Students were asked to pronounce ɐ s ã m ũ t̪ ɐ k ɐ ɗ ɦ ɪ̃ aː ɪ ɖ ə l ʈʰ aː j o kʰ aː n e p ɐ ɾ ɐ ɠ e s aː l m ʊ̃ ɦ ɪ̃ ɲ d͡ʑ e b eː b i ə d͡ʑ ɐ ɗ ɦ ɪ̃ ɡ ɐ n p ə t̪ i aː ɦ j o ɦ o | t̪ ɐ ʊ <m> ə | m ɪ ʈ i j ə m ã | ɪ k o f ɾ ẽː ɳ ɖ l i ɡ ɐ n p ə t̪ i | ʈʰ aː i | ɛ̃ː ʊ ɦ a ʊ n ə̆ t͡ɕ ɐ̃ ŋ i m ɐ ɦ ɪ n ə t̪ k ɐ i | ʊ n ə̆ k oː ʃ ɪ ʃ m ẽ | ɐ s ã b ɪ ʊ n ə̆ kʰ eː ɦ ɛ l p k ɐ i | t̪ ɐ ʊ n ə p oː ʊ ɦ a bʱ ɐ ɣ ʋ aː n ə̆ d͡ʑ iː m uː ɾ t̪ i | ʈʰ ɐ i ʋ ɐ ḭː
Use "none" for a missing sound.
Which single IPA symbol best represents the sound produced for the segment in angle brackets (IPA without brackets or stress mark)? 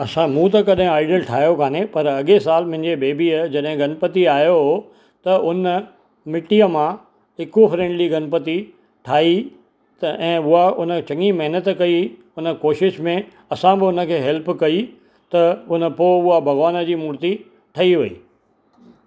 n